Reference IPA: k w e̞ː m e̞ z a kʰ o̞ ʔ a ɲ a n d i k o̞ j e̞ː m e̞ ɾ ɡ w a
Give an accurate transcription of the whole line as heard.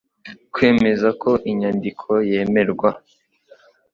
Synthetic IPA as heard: k w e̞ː m e̞ z a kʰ o̞ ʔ i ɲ a n d i kʰ o̞ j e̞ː m e̞ ɾ ɡ w a